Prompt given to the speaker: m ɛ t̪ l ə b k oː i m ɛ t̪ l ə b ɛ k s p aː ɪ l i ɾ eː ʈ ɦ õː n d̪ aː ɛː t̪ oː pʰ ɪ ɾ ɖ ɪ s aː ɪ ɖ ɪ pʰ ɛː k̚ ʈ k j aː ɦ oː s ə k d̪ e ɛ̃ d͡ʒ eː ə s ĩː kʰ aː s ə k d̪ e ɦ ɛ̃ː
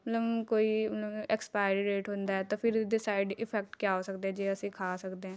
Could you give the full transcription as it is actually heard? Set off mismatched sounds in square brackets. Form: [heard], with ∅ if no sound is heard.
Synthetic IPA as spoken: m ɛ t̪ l ə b k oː i m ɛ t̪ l ə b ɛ k s p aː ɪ [ɾ] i ɾ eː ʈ ɦ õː n d̪ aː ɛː t̪ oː pʰ ɪ ɾ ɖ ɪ s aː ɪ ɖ ɪ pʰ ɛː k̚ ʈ k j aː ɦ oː s ə k d̪ e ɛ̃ d͡ʒ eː ə s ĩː kʰ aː s ə k d̪ e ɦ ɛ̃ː